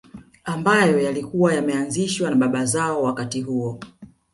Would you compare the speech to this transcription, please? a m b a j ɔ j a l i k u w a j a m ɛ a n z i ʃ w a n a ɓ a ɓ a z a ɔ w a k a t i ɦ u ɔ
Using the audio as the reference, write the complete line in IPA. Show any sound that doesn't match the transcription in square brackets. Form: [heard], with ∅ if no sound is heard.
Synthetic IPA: a m b a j ɔ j a l i k u w a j a m ɛ a n z i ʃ w a n a ɓ a ɓ a z a ɔ w a k a t i ɦ u ɔ